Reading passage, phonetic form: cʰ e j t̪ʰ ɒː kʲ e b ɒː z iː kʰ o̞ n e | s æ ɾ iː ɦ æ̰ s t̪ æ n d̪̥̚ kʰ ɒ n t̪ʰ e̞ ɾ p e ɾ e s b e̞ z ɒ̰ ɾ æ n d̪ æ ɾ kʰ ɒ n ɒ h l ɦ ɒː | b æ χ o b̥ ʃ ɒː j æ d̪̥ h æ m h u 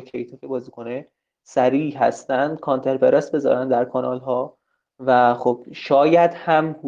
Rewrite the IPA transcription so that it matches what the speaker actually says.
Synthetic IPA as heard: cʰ e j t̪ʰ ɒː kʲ e b ɒː z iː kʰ o̞ n e | s æ ɾ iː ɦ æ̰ s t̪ æ n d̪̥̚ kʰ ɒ n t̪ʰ e̞ ɾ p e ɾ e s b e̞ z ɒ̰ ɾ æ n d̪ æ ɾ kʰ ɒ n ɒ l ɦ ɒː | v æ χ o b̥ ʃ ɒː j æ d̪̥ h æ m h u